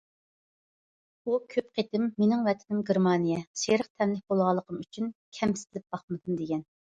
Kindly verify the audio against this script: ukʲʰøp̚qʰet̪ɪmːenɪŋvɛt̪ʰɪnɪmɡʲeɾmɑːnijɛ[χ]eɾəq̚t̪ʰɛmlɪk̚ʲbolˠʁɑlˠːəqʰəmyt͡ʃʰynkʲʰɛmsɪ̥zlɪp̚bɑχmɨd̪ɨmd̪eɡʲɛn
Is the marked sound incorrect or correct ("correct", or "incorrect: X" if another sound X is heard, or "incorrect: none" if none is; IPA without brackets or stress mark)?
incorrect: ʃ